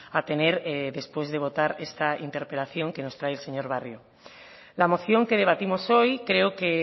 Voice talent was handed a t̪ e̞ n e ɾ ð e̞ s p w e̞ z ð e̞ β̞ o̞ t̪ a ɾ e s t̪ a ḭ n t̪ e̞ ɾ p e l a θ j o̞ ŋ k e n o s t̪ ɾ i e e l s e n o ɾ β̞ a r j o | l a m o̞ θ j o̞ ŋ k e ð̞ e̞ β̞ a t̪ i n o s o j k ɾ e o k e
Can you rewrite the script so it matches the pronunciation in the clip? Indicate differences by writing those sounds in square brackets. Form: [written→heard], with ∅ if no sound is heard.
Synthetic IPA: a t̪ e̞ n e ɾ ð e̞ s p w e̞ z ð e̞ β̞ o̞ t̪ a ɾ e s t̪ a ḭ n t̪ e̞ ɾ p e l a θ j o̞ ŋ k e n o s t̪ ɾ [i→a] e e l s e [n→ɲ] o ɾ β̞ a r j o | l a m o̞ θ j o̞ ŋ k e ð̞ e̞ β̞ a t̪ i [n→m] o s o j k ɾ e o k e